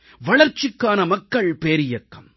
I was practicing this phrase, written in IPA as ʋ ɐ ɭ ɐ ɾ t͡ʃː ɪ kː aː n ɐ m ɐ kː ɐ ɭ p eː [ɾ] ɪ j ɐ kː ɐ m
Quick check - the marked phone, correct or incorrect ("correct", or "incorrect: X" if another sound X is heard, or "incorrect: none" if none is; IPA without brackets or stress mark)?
correct